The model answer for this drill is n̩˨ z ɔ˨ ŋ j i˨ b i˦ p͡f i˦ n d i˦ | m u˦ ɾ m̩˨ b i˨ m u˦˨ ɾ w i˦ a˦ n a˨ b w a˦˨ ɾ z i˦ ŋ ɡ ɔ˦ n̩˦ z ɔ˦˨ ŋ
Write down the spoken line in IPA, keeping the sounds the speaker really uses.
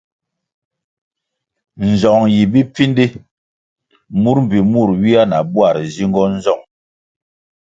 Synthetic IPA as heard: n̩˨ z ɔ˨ ŋ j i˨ b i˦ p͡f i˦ n d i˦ | m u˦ ɾ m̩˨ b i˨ m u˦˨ ɾ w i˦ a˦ n a˨ b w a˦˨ ɾ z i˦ ŋ ɡ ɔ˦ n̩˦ z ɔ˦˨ ŋ